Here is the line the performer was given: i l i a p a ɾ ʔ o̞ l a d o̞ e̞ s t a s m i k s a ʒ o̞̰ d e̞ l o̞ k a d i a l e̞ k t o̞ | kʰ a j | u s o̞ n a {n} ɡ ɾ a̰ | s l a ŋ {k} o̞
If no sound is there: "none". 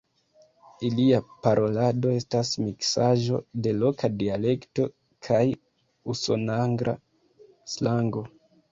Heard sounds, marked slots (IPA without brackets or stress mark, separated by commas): ŋ, ɡ